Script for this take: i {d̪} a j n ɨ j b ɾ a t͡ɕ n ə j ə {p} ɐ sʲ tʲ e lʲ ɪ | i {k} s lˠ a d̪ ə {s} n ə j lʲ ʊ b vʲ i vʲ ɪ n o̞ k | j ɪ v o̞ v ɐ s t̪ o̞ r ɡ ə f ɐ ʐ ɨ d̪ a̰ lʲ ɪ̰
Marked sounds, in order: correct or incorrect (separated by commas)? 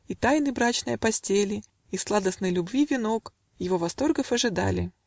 incorrect, correct, incorrect, correct